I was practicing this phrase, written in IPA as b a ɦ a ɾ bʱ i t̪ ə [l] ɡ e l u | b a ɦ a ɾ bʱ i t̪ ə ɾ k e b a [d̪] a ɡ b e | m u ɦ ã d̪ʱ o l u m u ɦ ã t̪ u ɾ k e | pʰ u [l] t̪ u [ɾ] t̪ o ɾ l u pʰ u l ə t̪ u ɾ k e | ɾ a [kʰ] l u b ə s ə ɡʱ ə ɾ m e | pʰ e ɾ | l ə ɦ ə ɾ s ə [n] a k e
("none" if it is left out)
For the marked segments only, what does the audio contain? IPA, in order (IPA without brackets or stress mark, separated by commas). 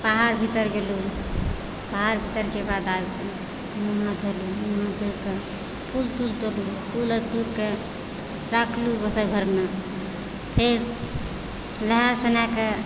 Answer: ɾ, d̪, l, l, kʰ, n